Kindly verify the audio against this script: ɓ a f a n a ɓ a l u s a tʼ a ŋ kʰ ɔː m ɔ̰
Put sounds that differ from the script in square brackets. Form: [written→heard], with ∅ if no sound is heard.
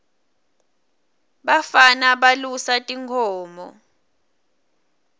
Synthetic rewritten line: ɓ a f a n a ɓ a l u s a tʼ [a→i] ŋ kʰ ɔː m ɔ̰